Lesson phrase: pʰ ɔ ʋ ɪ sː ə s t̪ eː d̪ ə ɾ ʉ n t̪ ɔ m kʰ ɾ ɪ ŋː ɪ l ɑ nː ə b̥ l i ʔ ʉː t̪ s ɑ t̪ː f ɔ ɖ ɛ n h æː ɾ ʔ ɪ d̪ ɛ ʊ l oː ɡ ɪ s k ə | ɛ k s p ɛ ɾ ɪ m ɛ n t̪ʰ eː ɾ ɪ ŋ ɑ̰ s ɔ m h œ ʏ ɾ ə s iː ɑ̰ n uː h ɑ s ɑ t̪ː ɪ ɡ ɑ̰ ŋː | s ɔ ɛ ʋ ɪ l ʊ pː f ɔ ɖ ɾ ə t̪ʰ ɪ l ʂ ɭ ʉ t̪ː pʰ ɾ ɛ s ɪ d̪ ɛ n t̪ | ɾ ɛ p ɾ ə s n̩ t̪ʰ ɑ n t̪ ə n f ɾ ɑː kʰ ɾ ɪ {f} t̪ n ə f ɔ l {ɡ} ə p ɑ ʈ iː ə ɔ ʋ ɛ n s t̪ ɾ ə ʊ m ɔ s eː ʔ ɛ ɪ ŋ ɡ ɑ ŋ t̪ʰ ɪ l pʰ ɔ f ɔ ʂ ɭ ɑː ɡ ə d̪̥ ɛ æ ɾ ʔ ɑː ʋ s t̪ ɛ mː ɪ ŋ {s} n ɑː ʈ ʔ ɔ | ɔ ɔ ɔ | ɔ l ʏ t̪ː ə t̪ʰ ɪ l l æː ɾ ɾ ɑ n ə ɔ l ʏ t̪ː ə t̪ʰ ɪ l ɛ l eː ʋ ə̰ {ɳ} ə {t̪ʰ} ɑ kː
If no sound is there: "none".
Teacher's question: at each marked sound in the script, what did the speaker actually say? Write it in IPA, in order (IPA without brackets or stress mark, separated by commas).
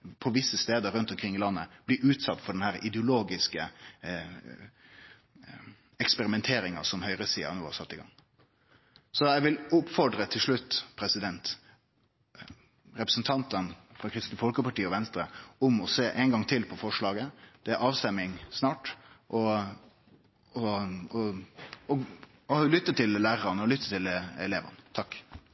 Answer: s, k, s, n, t̪ʰ